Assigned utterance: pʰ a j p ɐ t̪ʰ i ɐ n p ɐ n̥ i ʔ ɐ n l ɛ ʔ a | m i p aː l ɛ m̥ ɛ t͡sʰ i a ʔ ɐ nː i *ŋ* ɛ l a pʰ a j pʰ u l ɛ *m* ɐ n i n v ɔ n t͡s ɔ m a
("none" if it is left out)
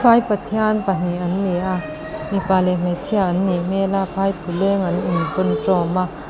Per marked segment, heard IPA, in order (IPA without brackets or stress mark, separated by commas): m, ŋ